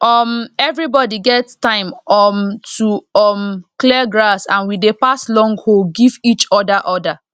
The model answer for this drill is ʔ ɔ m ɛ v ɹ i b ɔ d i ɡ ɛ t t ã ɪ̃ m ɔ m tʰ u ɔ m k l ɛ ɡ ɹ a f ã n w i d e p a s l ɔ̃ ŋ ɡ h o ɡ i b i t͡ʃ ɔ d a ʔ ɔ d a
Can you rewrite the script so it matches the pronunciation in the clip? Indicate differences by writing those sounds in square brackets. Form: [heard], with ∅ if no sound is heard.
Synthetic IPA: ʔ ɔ m ɛ v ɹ i b ɔ d i ɡ ɛ t t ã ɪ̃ m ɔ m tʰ u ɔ m k l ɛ ɡ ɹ a [s] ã n w i d e p a s l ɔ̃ ŋ ɡ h o ɡ i [v] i t͡ʃ ɔ d a ʔ ɔ d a

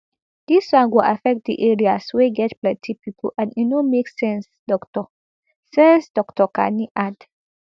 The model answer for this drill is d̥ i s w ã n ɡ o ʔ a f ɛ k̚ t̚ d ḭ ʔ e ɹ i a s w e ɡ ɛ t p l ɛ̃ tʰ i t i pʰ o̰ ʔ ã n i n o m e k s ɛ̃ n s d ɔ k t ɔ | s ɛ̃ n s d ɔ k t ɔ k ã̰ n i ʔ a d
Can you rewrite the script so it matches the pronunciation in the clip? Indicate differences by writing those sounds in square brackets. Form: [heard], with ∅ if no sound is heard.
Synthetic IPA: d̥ i s w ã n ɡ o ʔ a f ɛ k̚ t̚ d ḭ ʔ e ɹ i a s w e ɡ ɛ t p l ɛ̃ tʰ i [p] i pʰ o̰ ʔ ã n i n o m e k s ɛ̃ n s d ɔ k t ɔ | s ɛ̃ n s d ɔ k t ɔ k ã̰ n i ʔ a d

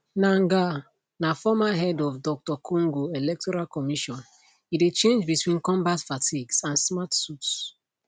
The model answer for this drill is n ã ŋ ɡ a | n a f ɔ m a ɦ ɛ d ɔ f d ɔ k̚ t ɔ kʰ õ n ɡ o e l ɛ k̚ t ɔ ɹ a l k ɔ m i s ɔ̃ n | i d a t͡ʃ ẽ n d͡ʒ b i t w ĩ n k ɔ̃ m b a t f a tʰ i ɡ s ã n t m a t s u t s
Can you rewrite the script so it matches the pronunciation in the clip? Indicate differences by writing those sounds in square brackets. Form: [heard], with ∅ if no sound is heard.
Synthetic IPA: n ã ŋ ɡ a | n a f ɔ m a ɦ ɛ d ɔ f d ɔ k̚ t ɔ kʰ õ [ŋ] ɡ o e l ɛ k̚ t ɔ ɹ a l k ɔ m i [ʃ] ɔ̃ n | i d [e] t͡ʃ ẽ n d͡ʒ b i t w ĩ n k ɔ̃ m b a t f a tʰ i ɡ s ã n [s] m a t s u t s

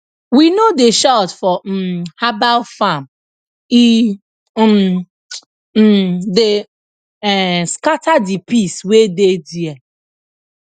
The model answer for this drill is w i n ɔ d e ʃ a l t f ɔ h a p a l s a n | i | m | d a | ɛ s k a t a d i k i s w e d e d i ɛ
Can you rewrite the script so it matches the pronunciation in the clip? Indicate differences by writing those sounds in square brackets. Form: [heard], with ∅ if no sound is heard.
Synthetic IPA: w i n [o] d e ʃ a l t f ɔ h a [b] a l [f] a [m] | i | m | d [e] | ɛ s k a t a d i [p] i s w e d e d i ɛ

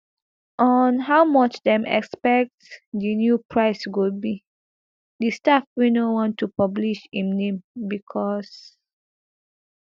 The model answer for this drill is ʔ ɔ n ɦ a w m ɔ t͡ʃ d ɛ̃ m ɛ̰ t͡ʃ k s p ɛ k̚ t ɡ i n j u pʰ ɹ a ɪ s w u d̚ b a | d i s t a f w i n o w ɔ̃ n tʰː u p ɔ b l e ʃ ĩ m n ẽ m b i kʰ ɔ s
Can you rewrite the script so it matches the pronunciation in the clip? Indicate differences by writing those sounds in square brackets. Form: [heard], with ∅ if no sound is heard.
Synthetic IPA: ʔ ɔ n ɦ a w m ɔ t͡ʃ d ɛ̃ m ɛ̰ [∅] k s p ɛ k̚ t [d] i n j u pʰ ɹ a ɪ s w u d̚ b [i] | d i s t a f w i n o w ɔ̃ n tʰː u p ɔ b l [i] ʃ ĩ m n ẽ m b i kʰ ɔ s

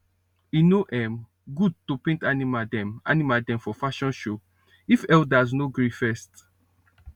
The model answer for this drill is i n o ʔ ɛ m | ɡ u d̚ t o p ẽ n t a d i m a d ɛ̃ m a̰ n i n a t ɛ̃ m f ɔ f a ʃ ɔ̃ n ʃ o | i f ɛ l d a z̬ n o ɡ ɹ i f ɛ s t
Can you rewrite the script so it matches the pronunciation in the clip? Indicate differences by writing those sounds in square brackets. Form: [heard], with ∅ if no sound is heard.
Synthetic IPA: i n o ʔ ɛ m | ɡ u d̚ t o p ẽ n t a [n] i m a d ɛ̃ m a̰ n i [m] a [d] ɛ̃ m f ɔ f a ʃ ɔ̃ n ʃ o | i f ɛ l d a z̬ n o ɡ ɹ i f ɛ s t

